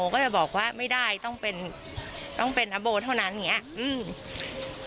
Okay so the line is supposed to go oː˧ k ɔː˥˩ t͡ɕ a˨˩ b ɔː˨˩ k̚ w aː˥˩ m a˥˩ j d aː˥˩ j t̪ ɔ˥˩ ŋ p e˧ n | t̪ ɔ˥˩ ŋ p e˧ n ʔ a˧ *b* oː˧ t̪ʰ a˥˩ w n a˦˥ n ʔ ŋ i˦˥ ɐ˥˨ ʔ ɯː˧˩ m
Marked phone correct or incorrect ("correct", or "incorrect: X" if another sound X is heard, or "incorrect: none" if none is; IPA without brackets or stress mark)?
correct